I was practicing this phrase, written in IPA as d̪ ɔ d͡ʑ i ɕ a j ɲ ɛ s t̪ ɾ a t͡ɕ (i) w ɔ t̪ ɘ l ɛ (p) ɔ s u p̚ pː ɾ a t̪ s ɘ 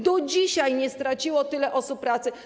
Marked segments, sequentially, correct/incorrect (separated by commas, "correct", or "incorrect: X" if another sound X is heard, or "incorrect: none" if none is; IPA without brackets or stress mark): correct, incorrect: ʔ